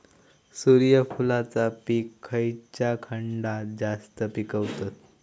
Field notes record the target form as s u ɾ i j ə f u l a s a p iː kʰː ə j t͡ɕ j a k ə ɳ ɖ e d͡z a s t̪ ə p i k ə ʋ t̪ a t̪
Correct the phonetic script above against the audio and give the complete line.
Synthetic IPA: s u ɾ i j ə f u l a t͡s a p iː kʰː ə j t͡ɕ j a kʰ ə ɳ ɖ a d͡z a s t̪ ə p i k ə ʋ t̪ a t̪

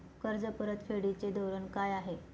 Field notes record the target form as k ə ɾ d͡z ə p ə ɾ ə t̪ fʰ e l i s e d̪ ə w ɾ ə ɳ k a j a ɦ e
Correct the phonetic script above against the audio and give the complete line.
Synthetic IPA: k ə ɾ d͡z ə p ə ɾ ə t̪ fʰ e ɽ i t͡s e d̪ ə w ɾ ə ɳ k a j a ɦ e

